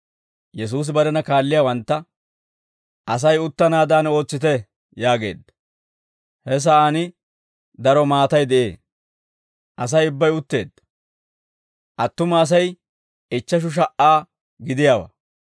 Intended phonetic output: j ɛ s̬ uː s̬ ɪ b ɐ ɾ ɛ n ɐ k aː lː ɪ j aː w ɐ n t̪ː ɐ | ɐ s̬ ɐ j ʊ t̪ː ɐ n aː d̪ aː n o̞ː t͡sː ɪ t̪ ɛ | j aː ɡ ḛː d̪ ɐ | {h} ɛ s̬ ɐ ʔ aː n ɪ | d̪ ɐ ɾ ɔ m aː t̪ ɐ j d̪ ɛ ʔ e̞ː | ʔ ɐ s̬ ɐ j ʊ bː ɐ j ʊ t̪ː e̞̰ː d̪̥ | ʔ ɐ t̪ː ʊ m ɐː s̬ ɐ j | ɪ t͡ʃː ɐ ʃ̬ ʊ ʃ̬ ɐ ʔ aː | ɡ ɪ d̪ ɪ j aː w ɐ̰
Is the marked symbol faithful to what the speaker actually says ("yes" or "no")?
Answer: yes